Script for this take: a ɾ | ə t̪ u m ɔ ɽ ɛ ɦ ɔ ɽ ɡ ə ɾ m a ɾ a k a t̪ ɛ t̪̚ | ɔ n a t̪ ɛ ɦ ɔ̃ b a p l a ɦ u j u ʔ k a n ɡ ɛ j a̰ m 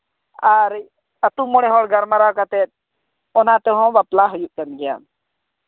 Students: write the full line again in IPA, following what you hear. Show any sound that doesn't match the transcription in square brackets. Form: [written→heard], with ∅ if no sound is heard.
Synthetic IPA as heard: a ɾ | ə t̪ u m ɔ ɽ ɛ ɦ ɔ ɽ ɡ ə ɾ m a ɾ a k a t̪ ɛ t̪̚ | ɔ n a t̪ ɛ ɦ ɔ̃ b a p l a ɦ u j u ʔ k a n ɡ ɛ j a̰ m